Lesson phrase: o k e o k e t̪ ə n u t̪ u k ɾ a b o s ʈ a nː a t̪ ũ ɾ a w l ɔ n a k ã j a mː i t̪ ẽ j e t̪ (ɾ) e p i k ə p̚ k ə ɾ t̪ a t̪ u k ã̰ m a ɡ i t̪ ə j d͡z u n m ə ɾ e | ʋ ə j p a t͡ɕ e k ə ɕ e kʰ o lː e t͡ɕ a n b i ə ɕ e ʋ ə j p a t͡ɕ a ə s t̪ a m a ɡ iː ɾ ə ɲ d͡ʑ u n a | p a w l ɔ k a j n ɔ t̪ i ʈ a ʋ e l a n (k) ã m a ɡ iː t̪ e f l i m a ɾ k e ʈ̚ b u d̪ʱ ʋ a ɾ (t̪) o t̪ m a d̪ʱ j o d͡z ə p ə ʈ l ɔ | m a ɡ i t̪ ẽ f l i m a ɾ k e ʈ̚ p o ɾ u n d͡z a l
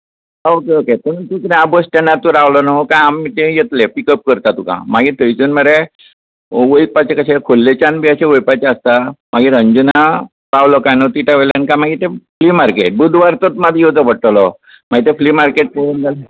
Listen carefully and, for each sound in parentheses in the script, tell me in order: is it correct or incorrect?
incorrect: l, correct, correct

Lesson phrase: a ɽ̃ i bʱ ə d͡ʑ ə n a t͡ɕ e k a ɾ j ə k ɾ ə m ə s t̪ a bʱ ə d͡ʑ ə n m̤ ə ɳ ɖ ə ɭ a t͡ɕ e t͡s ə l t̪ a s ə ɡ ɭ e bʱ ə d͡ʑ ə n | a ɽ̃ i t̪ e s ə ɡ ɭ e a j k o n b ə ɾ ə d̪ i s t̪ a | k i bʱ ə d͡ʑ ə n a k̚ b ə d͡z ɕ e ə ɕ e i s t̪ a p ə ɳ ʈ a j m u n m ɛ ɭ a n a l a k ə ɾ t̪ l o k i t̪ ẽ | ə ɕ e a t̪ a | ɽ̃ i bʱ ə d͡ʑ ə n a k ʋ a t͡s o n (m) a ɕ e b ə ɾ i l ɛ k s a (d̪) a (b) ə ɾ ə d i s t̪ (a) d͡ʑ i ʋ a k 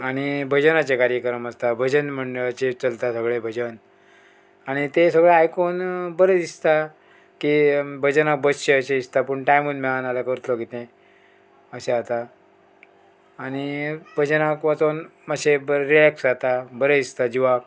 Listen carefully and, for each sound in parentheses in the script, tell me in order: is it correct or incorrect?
correct, incorrect: t̪, correct, correct

